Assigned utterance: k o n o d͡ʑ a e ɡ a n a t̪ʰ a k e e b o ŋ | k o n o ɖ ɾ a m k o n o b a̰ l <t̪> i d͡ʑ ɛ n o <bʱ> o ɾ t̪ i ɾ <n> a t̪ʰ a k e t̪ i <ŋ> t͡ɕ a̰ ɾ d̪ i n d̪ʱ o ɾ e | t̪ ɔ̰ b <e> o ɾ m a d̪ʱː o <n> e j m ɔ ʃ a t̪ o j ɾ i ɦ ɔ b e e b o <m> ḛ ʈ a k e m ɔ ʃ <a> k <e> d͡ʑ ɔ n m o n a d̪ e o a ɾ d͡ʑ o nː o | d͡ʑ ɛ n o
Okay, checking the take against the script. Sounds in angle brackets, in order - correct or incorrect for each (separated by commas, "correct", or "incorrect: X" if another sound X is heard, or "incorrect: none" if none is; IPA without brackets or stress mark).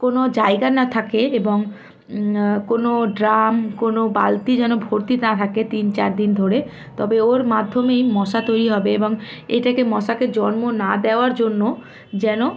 correct, correct, correct, incorrect: n, correct, incorrect: m, incorrect: ŋ, correct, correct